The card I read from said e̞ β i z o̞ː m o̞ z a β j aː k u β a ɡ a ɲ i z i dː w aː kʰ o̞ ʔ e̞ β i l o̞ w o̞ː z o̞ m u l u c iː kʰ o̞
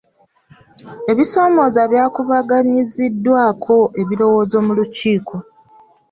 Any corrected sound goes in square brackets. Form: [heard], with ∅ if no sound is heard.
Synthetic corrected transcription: e̞ β i [s] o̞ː m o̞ z a β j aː k u β a ɡ a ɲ i z i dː w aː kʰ o̞ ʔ e̞ β i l o̞ w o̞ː z o̞ m u l u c iː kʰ o̞